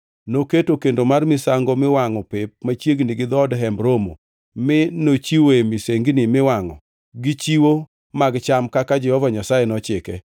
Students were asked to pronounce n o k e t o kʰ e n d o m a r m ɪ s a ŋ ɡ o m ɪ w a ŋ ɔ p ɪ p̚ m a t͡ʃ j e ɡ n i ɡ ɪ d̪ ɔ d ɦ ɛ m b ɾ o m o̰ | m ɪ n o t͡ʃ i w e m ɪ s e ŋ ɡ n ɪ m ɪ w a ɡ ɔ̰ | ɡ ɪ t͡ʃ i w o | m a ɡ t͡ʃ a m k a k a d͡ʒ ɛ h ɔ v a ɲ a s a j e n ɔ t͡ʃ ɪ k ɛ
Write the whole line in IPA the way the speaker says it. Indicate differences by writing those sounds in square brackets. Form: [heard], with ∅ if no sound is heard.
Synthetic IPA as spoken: n o k e t o [k] e n d o m a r m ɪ s a ŋ ɡ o m ɪ w a ŋ ɔ p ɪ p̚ m a t͡ʃ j e ɡ n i ɡ ɪ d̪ ɔ d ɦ ɛ m b ɾ o m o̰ | m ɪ n o t͡ʃ i w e m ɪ s e ŋ ɡ n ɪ m ɪ w a [ŋ] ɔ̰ | ɡ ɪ t͡ʃ i w o | m a ɡ t͡ʃ a m k a k a d͡ʒ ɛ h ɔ v a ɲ a s a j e n ɔ t͡ʃ ɪ k ɛ